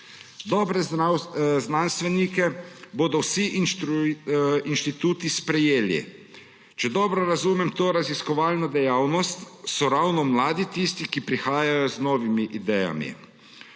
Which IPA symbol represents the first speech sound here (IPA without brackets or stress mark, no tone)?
d̪